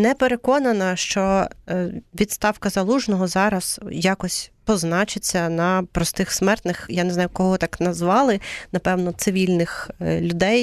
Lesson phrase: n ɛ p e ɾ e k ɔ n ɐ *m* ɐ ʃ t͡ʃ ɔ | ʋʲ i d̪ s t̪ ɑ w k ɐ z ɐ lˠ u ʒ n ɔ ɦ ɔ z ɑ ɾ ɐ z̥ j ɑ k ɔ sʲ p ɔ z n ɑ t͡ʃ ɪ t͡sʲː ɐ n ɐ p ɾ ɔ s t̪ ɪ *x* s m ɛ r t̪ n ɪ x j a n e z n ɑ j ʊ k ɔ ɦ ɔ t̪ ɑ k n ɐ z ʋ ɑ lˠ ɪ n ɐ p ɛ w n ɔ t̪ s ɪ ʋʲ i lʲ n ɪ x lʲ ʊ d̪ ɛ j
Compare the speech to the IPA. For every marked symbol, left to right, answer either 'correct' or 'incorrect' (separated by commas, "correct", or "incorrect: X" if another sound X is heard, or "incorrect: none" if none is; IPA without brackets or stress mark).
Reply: incorrect: n, correct